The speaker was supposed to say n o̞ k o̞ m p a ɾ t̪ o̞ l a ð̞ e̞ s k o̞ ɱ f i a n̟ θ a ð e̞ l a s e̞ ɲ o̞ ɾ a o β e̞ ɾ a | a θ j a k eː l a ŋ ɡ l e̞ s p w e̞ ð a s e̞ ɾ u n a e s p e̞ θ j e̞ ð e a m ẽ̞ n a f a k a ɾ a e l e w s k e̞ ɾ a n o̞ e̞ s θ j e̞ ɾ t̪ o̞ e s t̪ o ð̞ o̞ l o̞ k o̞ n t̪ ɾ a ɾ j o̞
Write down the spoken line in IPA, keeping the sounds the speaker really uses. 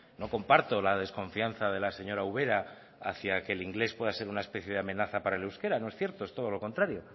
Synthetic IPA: n o̞ k o̞ m p a ɾ t̪ o̞ l a ð̞ e̞ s k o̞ ɱ f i a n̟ θ a ð e̞ l a s e̞ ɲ o̞ ɾ a u β e̞ ɾ a | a θ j a k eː l i ŋ ɡ l e̞ s p w e̞ ð a s e̞ ɾ u n a e s p e̞ θ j e̞ ð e a m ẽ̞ n a θ a p a ɾ a e l e w s k e̞ ɾ a n o̞ e̞ s θ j e̞ ɾ t̪ o̞ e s t̪ o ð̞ o̞ l o̞ k o̞ n t̪ ɾ a ɾ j o̞